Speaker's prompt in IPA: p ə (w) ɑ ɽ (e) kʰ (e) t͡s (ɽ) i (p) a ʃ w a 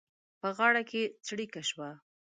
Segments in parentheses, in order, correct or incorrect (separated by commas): incorrect, incorrect, correct, correct, incorrect